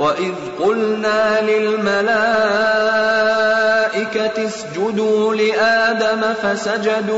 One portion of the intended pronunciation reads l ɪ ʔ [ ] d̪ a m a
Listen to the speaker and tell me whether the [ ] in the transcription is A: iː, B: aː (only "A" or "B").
B